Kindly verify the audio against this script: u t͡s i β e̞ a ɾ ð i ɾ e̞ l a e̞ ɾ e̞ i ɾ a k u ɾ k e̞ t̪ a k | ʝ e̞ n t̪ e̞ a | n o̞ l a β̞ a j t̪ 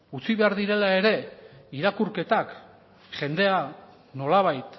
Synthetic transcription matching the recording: u t͡s i β e̞ a ɾ ð i ɾ e̞ l a e̞ ɾ e̞ i ɾ a k u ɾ k e̞ t̪ a k | ʝ e̞ n d̪ e̞ a | n o̞ l a β̞ a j t̪